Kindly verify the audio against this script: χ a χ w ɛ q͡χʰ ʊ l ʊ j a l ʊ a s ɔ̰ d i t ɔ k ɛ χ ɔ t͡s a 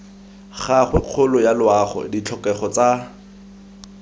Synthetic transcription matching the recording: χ a χ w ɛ q͡χʰ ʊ l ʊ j a l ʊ a χ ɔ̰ d i t͡ɬʰ ɔ k ɛ χ ɔ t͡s a